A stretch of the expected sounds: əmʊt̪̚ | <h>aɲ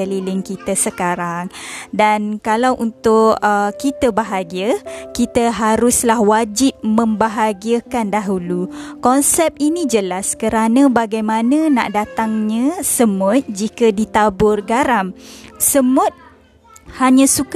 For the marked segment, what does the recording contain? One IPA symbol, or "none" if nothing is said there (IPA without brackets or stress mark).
h